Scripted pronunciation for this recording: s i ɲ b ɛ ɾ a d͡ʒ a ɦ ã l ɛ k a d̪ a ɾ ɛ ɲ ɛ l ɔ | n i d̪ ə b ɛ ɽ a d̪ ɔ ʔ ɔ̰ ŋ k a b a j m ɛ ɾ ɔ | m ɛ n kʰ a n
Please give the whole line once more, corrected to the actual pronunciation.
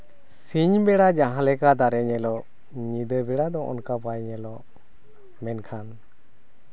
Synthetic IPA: s i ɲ b ɛ ɽ a d͡ʒ a ɦ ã l ɛ k a d̪ a ɾ ɛ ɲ ɛ l ɔ | ɲ i d̪ ə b ɛ ɽ a d̪ ɔ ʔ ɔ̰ n k a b a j ɲ ɛ l ɔ | m ɛ n kʰ a n